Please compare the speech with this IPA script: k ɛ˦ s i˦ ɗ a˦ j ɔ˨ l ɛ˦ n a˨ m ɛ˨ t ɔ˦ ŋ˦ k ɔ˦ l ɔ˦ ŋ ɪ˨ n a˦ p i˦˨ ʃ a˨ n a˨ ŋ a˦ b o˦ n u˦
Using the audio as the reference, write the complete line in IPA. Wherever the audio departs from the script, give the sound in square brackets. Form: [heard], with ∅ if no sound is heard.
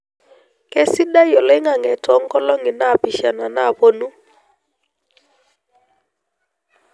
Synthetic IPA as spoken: k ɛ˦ s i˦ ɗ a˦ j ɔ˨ l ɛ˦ [ŋ] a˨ [ŋ] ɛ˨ t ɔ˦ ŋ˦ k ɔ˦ l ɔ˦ ŋ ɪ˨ n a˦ p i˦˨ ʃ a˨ n a˨ [n] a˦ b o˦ n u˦